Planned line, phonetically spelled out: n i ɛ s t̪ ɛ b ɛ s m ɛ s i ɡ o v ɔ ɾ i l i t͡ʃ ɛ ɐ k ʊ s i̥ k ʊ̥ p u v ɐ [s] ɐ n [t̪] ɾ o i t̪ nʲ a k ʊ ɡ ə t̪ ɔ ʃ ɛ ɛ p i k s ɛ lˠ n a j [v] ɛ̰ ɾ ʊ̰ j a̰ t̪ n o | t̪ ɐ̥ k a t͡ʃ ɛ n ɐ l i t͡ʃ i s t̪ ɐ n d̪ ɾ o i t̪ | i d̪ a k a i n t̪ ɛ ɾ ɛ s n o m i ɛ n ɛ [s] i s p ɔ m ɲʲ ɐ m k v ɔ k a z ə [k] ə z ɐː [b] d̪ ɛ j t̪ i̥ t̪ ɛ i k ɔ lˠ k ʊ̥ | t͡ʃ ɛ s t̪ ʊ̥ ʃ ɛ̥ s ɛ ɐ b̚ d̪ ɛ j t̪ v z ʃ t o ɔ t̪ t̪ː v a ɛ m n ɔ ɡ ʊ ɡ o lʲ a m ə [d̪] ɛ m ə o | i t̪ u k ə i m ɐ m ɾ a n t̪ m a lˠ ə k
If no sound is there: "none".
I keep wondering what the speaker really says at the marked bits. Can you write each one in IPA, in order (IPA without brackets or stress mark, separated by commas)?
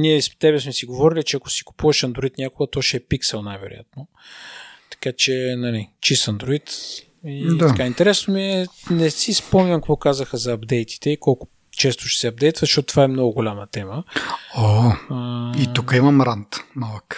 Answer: ʃ, d̪, v, s, x, b, t̪